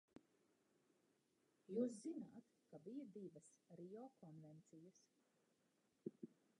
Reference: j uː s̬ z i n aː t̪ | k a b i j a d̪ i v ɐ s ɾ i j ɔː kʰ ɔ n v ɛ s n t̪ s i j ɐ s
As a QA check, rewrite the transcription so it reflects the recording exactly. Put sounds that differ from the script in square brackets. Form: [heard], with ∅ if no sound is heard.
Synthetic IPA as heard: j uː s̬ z i n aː t̪ | k a b i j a d̪ i v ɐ s ɾ i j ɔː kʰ ɔ n v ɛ [∅] n t̪ s i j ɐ s